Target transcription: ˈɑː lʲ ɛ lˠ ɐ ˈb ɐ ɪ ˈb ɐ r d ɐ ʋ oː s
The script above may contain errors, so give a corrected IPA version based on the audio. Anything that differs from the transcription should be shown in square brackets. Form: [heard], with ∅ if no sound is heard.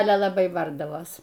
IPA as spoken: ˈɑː lʲ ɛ lˠ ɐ ˈb ɐ ɪ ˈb ɐ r d ɐ ʋ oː s